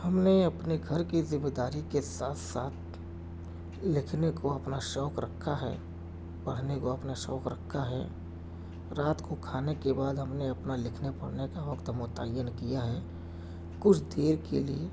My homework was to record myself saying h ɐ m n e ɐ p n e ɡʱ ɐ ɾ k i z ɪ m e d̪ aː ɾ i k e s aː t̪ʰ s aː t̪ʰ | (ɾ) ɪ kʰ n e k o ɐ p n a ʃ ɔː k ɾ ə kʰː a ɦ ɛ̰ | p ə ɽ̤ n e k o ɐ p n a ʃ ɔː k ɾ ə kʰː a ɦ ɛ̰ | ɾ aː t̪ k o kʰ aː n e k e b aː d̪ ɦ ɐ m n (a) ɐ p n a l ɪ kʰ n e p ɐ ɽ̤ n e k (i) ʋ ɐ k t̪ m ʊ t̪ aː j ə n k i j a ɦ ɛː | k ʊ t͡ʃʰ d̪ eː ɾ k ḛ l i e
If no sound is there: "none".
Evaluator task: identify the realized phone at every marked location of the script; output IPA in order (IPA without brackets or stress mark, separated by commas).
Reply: l, e, a